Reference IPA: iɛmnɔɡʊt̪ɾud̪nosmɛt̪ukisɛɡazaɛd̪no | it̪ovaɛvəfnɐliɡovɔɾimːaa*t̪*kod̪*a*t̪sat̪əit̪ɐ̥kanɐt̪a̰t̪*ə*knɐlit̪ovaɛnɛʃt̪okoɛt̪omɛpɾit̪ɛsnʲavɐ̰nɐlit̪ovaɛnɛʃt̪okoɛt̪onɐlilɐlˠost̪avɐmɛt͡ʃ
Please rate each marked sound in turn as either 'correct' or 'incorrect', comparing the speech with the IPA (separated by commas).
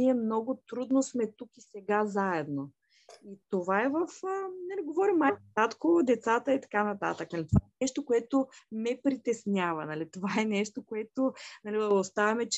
correct, incorrect, correct